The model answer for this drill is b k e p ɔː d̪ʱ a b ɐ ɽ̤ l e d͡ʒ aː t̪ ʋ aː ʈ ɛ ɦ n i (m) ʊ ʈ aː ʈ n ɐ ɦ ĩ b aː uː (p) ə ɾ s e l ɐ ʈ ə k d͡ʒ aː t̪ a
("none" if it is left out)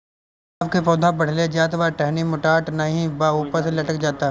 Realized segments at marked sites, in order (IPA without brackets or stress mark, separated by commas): m, p